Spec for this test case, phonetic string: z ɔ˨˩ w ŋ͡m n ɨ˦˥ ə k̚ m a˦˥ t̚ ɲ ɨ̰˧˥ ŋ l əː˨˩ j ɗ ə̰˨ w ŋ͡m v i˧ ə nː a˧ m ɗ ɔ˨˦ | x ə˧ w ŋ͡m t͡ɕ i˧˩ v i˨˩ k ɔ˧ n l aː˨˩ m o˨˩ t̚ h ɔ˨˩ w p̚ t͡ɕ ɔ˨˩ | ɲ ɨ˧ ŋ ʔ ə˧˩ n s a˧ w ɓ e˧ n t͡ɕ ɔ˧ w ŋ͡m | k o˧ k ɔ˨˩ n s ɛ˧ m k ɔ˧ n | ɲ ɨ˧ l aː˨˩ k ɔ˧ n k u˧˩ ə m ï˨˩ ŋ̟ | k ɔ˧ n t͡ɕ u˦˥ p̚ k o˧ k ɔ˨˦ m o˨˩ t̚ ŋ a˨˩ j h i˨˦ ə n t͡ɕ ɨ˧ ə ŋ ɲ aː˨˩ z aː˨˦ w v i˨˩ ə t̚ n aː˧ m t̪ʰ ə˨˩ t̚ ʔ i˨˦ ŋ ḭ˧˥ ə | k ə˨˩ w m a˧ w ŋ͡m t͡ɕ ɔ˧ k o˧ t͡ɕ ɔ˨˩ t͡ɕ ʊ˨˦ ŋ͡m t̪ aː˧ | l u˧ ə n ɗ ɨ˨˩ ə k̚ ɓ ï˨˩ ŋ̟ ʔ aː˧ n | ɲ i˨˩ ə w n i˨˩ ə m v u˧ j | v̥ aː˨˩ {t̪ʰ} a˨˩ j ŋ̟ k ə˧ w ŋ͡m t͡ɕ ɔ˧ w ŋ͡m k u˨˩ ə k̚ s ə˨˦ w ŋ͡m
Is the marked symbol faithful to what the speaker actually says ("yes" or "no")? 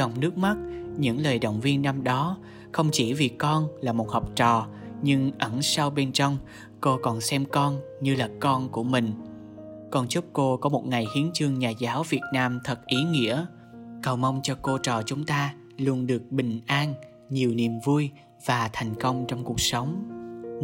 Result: yes